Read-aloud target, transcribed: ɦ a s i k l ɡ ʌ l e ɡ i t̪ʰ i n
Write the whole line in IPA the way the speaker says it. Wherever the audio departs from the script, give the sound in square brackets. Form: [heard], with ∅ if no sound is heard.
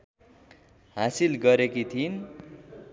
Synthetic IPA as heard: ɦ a s i [∅] l ɡ ʌ [ɾ] e [k] i t̪ʰ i n